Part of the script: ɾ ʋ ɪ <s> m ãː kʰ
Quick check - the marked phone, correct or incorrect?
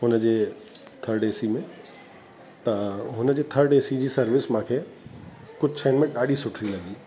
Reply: correct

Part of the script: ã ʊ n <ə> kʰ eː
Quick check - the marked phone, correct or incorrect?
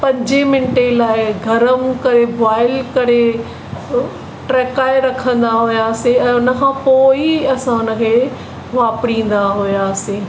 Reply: correct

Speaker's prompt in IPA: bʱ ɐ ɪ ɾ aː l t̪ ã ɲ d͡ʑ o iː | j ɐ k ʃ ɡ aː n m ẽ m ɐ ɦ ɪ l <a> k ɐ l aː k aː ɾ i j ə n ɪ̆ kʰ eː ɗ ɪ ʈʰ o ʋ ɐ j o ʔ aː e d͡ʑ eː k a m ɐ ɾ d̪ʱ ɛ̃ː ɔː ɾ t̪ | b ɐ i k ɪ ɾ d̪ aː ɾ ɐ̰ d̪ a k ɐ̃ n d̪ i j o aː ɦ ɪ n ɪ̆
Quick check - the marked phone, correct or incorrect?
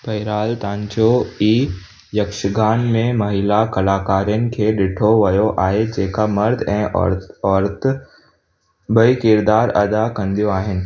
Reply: correct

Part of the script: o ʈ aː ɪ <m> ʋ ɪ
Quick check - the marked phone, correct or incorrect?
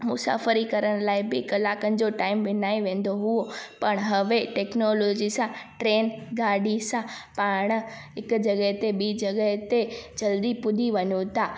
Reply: correct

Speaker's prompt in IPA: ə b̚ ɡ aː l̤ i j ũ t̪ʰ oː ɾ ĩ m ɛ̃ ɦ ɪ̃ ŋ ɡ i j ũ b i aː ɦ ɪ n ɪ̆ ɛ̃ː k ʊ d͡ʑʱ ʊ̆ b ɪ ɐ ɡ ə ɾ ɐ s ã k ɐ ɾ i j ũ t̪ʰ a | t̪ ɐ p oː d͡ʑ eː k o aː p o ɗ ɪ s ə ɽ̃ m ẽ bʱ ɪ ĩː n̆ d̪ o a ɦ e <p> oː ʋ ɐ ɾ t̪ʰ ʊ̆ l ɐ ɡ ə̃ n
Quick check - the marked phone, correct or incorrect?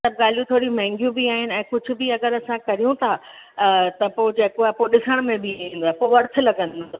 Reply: correct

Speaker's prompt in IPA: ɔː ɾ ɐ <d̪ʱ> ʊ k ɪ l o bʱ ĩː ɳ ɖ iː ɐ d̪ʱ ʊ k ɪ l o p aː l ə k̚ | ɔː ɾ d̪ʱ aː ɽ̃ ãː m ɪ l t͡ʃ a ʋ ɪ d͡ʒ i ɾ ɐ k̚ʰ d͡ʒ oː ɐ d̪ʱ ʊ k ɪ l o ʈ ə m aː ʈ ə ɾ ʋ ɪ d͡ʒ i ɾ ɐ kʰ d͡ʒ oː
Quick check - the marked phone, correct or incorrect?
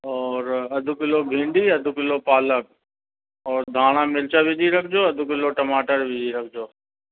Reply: correct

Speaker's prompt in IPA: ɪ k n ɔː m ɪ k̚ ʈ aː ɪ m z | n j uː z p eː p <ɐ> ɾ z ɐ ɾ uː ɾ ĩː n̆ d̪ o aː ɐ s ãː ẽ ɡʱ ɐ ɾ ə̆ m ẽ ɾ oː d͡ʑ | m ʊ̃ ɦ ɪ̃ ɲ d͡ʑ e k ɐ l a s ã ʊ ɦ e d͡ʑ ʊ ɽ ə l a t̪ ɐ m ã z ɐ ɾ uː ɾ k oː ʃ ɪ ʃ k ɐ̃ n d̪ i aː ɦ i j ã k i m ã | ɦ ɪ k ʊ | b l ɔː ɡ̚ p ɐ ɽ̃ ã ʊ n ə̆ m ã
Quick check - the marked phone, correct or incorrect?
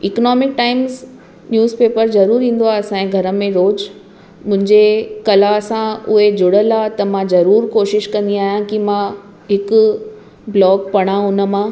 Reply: incorrect: ə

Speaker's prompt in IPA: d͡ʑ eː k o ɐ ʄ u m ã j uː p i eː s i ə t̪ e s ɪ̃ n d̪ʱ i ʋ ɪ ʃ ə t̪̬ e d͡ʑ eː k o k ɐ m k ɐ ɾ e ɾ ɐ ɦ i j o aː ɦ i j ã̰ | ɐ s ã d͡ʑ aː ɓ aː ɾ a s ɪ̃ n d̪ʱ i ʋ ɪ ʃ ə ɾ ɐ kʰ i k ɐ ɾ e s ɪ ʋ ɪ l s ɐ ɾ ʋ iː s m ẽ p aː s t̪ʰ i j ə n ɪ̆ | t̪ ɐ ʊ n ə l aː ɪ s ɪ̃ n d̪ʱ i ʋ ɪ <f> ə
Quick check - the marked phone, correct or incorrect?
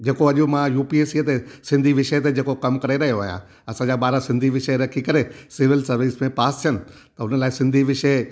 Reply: incorrect: ʃ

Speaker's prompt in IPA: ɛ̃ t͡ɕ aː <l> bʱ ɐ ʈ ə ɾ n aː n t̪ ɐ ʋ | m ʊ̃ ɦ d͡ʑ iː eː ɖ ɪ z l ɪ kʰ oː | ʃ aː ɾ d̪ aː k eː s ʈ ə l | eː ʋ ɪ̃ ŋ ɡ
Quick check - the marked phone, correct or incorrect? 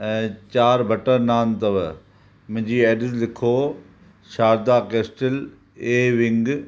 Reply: incorrect: ɾ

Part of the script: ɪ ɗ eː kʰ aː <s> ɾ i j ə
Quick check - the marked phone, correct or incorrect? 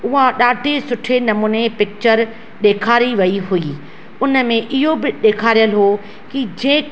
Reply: incorrect: none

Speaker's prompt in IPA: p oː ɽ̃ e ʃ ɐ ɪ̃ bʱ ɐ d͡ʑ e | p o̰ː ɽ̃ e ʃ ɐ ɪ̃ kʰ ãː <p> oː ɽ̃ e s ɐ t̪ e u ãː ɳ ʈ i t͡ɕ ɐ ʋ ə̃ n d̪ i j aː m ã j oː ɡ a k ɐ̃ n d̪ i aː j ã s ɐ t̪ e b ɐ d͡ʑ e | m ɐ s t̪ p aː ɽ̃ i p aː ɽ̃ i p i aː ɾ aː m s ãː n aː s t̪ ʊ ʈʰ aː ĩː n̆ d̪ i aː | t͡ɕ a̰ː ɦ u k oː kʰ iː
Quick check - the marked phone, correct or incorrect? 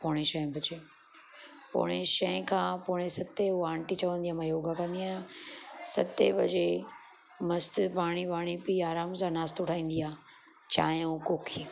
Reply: correct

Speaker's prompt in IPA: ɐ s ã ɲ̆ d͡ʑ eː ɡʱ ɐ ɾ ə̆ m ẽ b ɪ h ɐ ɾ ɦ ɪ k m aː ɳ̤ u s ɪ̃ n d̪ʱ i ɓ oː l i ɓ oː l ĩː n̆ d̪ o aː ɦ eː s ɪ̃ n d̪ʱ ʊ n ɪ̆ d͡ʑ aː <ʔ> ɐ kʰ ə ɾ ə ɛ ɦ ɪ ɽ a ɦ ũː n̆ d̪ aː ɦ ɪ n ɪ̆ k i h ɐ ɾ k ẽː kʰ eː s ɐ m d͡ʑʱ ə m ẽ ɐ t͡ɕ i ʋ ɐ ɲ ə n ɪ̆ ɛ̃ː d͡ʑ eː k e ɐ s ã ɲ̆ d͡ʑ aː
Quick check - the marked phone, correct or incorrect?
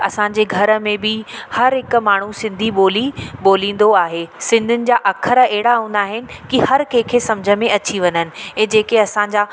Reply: correct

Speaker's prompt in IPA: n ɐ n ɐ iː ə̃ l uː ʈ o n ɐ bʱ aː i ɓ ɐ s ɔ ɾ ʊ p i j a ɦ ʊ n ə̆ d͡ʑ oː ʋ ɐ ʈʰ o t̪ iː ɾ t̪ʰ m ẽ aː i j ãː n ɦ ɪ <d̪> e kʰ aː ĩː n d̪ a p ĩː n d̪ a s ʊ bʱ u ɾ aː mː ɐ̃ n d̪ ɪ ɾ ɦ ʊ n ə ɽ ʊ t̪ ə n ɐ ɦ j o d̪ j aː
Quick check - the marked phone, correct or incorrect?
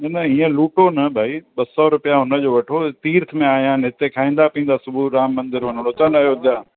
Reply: incorrect: t̪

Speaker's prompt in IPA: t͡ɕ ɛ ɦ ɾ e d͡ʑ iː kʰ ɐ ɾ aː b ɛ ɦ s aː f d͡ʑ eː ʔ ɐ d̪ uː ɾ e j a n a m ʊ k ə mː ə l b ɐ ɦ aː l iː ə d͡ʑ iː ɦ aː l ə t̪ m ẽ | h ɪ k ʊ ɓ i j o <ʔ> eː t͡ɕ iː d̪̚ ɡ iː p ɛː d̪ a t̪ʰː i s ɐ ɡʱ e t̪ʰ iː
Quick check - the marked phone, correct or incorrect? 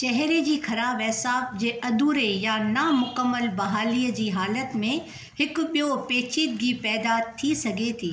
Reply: incorrect: p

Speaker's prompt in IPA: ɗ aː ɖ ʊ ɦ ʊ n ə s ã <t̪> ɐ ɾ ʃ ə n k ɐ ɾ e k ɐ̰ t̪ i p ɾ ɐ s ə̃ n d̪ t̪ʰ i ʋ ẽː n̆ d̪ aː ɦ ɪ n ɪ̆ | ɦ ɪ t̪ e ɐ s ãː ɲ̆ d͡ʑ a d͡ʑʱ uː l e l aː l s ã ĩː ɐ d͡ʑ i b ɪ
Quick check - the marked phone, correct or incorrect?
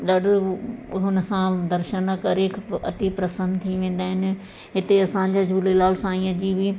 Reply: incorrect: d̪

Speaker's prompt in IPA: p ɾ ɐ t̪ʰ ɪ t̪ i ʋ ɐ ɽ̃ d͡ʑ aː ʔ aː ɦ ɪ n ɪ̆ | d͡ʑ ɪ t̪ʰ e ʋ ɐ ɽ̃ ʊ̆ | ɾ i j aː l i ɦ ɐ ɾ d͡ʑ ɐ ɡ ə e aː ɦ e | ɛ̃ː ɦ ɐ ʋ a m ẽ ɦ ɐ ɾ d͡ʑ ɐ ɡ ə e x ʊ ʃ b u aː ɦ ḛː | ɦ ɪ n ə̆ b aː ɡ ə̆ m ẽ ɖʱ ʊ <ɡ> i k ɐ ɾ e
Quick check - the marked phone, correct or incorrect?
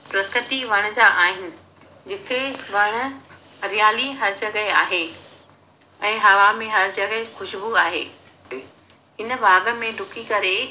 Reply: incorrect: k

